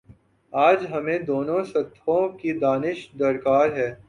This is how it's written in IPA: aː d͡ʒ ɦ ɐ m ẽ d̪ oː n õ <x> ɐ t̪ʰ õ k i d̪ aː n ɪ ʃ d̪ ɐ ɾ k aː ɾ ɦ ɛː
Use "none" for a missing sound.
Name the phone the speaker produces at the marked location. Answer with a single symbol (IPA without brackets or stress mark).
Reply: s